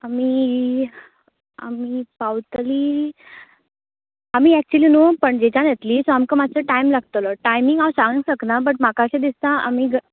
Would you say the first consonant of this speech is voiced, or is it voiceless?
voiced